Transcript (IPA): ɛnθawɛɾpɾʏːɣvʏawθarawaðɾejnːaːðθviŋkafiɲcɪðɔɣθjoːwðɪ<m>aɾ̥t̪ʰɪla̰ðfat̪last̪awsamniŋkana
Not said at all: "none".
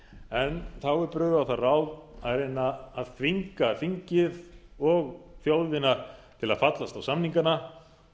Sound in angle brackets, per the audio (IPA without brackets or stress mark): n